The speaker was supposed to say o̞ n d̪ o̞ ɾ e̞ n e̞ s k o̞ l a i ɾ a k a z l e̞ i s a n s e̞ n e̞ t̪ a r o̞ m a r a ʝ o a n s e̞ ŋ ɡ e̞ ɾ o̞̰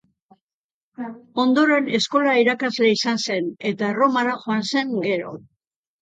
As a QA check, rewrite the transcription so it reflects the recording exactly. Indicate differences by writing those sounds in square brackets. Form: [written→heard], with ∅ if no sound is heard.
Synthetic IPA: o̞ n d̪ o̞ ɾ e̞ n e̞ s k o̞ l a i ɾ a k a z l e̞ i s a n s e̞ n e̞ t̪ a r o̞ m a [r→ɾ] a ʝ o a n s e̞ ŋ ɡ e̞ ɾ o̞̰